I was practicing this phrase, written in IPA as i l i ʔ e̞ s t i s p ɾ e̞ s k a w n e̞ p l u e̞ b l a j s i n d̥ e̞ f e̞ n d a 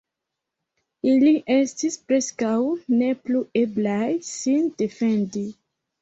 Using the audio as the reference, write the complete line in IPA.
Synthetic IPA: i l i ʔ e̞ s t i s p ɾ e̞ s k a w n e̞ p l u e̞ b l a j s i n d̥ e̞ f e̞ n d i